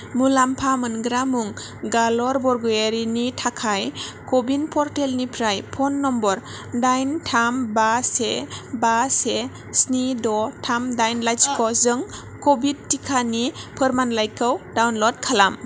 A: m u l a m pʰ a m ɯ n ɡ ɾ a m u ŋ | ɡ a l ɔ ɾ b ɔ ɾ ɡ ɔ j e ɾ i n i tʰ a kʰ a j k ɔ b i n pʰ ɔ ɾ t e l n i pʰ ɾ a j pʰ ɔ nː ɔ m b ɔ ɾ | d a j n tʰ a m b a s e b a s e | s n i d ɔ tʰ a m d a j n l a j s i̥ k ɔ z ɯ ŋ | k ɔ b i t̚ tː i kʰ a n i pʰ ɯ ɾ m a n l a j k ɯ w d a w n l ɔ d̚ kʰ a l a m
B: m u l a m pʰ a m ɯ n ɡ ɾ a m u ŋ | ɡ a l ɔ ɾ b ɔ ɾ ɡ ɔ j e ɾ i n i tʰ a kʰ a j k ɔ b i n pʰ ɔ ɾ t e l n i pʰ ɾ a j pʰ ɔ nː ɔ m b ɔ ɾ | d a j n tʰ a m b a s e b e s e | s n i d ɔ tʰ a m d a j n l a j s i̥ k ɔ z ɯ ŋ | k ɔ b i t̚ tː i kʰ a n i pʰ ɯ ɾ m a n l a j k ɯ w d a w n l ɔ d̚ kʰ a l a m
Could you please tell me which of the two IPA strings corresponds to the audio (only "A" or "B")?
A